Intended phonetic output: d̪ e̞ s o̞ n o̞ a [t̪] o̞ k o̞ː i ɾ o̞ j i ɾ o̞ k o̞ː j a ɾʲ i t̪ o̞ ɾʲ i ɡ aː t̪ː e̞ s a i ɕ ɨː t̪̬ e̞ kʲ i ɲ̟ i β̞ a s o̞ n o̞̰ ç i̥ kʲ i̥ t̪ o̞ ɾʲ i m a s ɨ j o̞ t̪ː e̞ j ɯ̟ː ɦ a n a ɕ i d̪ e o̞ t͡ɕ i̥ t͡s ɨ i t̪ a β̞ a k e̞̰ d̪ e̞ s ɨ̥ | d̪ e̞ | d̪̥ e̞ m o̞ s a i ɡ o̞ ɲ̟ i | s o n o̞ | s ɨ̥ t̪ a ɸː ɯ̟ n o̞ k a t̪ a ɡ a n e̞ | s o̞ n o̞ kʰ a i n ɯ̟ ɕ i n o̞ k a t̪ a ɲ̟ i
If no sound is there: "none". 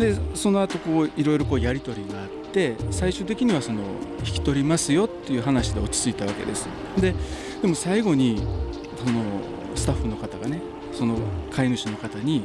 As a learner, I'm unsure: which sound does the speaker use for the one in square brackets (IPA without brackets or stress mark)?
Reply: t̪